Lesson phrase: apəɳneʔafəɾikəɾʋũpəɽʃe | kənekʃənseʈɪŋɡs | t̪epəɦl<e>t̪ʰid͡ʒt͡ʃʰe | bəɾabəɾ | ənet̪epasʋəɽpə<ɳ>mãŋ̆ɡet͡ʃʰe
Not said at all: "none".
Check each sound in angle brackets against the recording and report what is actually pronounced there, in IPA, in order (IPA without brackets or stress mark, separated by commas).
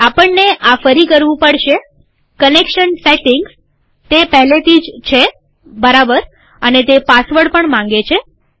e, ɳ